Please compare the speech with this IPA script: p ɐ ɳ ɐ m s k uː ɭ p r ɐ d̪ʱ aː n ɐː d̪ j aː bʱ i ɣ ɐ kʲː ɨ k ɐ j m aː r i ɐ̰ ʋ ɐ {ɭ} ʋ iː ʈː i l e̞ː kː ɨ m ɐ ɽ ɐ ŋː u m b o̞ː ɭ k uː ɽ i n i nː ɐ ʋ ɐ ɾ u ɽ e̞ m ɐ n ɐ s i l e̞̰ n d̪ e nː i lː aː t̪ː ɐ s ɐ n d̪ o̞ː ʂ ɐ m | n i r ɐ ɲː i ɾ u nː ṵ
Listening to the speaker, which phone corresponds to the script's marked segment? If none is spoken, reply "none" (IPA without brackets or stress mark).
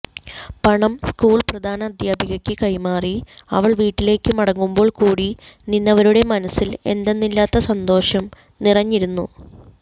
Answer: ɭ